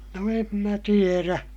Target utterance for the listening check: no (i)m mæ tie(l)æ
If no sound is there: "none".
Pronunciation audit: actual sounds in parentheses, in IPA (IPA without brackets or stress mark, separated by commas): e, r